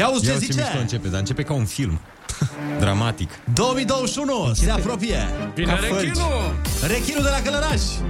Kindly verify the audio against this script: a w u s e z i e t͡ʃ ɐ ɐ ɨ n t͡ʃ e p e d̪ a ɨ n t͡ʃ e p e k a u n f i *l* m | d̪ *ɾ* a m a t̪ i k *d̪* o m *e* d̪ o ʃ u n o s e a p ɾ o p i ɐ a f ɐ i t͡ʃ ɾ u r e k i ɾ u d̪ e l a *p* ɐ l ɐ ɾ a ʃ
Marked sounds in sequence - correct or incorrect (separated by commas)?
correct, correct, correct, incorrect, incorrect